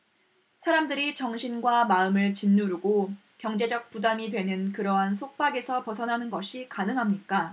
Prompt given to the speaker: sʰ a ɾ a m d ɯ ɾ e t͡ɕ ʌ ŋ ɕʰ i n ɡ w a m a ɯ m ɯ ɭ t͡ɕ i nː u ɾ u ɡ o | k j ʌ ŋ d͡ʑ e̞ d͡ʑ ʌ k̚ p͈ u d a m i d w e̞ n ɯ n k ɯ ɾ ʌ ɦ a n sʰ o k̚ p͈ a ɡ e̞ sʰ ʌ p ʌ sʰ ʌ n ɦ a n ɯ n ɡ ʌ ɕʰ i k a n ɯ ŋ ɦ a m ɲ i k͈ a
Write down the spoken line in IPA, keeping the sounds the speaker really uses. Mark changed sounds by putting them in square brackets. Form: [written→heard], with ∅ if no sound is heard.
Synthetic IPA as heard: sʰ a ɾ a m d ɯ ɾ [e→i] t͡ɕ ʌ ŋ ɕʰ i n ɡ w a m a ɯ m ɯ ɭ t͡ɕ i nː u ɾ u ɡ o | k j ʌ ŋ d͡ʑ e̞ d͡ʑ ʌ k̚ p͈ u d a m i d w e̞ n ɯ n k ɯ ɾ ʌ ɦ a n sʰ o k̚ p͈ a ɡ e̞ sʰ ʌ p ʌ sʰ ʌ n ɦ a n ɯ n ɡ ʌ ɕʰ i k a n ɯ ŋ ɦ a m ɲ i k͈ a